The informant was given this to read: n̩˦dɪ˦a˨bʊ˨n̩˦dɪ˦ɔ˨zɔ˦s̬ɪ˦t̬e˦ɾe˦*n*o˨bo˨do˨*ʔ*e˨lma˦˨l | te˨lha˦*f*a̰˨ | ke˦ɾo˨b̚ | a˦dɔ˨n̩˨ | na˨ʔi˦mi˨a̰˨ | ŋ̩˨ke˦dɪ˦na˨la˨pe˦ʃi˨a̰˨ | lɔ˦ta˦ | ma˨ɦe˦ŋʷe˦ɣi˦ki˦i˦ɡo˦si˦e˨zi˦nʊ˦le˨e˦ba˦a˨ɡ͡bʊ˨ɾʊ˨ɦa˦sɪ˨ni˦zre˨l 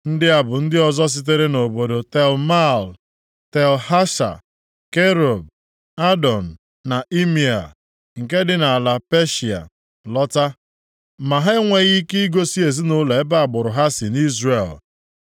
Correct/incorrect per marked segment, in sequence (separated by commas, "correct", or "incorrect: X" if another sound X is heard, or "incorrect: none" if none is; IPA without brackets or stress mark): correct, incorrect: t, incorrect: ʃ